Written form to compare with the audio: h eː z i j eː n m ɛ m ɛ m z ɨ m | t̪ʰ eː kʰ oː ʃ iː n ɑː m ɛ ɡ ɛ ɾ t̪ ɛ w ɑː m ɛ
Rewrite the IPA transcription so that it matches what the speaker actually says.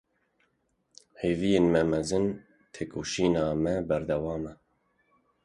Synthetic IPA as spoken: h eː v i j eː n m ɛ m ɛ z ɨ n | t̪ʰ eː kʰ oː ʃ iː n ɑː m ɛ b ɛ ɾ d̪ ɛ w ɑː m ɛ